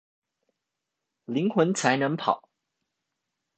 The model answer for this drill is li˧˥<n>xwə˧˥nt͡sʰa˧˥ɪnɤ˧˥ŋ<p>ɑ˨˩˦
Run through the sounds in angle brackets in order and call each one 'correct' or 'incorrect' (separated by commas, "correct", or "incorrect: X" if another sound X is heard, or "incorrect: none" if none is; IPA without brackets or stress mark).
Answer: incorrect: ŋ, incorrect: pʰ